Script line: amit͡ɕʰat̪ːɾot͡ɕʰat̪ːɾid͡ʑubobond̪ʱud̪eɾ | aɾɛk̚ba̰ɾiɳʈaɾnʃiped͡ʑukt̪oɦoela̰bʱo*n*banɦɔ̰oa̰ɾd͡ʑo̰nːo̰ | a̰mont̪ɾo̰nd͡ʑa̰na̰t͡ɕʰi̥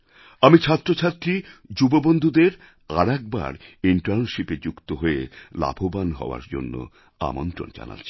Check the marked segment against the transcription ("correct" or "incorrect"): incorrect